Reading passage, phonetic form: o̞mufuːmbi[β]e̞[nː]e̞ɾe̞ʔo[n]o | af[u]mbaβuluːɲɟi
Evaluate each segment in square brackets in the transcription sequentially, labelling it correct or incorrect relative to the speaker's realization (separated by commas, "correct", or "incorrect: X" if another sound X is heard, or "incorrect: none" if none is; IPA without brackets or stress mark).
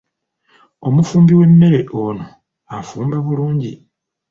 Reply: incorrect: w, correct, correct, incorrect: uː